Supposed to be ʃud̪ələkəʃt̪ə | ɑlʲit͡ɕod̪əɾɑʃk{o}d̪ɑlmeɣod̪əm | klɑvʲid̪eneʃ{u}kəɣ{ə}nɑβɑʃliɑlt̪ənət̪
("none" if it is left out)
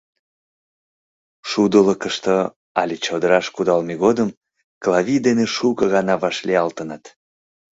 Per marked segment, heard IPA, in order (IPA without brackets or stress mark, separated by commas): u, u, ɑ